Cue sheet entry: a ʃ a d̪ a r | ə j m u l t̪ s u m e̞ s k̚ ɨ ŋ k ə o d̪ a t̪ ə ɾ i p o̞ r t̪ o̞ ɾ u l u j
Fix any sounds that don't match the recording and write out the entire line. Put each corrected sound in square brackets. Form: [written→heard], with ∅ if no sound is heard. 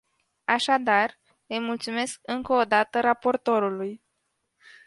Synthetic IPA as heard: a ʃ a d̪ a r | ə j m u l t̪ s u m e̞ s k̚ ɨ ŋ k ə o d̪ a t̪ ə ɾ [i→a] p o̞ r t̪ o̞ ɾ u l u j